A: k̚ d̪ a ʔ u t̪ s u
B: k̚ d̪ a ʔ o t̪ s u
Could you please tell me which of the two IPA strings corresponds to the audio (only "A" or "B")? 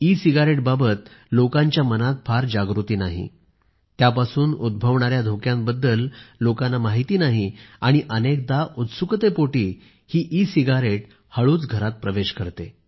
A